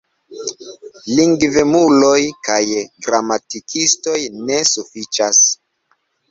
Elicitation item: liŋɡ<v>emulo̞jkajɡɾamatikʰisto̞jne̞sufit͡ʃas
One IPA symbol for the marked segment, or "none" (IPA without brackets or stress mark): v